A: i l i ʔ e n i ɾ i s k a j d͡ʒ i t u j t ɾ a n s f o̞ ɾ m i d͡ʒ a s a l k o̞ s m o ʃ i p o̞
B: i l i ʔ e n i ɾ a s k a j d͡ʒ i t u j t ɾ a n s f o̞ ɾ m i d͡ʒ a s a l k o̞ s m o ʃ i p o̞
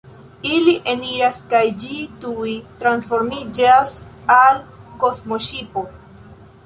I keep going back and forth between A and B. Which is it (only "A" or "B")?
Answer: B